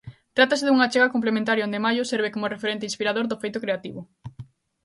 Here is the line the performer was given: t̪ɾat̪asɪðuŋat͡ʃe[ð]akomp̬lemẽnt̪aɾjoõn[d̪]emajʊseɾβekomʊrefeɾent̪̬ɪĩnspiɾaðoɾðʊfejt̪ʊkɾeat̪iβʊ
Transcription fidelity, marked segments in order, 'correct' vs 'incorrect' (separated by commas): incorrect, correct